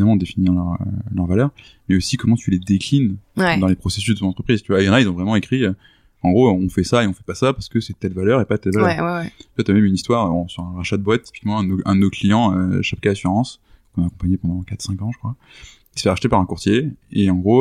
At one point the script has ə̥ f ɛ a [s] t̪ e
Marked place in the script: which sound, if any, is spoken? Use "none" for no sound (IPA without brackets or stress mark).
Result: ʃ